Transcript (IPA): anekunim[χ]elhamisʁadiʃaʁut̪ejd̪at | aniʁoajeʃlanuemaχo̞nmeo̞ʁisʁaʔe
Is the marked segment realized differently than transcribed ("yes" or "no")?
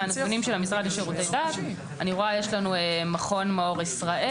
yes